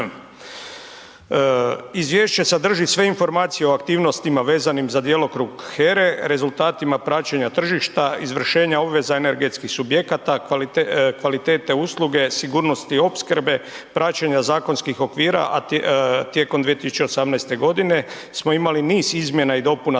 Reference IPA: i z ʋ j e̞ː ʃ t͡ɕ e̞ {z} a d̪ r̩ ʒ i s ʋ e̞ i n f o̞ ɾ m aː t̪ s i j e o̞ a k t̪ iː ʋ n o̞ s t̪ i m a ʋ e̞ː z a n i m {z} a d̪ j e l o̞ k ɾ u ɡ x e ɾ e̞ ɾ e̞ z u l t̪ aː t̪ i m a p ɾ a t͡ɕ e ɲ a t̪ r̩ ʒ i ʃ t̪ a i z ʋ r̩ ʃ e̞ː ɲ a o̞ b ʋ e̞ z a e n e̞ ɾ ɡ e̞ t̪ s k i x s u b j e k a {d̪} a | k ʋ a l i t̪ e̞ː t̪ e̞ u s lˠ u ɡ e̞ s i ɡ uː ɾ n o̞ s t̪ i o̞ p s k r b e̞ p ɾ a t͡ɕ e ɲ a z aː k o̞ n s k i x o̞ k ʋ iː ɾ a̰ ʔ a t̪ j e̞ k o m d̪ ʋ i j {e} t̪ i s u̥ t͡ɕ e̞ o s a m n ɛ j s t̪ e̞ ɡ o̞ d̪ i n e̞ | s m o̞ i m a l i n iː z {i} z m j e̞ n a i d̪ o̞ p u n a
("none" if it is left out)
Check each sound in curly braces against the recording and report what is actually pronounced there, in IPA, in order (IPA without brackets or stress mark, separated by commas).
s, z, t̪, e, i